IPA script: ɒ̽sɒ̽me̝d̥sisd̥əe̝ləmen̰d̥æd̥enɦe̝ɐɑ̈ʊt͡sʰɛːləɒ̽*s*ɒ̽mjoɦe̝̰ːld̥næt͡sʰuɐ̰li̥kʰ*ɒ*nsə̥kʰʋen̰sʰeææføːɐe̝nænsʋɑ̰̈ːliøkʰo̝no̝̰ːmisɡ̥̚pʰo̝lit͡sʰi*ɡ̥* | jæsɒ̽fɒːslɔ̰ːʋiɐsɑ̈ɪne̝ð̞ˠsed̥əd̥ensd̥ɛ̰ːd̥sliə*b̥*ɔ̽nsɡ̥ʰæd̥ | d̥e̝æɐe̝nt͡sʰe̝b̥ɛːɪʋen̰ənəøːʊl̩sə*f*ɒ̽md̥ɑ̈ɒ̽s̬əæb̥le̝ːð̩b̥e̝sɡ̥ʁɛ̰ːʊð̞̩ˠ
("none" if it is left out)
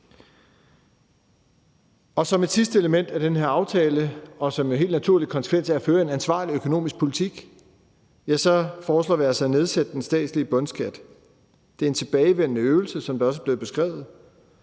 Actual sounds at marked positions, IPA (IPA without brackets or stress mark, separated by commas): s, ɒ, ɡ̥, b̥, s